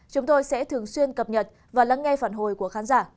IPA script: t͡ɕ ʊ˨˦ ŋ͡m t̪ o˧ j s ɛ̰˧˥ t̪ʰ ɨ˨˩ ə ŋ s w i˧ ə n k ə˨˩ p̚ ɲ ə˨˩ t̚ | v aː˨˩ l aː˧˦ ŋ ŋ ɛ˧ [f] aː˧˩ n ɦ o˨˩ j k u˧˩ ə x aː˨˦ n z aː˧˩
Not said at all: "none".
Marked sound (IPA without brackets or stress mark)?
f